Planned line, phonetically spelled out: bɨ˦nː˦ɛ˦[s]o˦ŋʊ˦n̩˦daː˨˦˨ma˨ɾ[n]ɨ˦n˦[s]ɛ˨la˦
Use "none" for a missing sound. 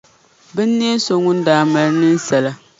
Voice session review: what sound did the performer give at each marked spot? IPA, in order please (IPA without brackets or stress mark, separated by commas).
s, n, s